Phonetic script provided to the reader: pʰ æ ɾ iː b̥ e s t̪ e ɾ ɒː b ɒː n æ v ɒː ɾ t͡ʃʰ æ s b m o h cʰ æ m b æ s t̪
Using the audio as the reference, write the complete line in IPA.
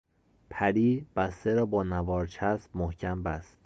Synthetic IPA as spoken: pʰ æ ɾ iː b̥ æ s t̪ e ɾ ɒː b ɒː n æ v ɒː ɾ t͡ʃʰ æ s b m o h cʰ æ m b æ s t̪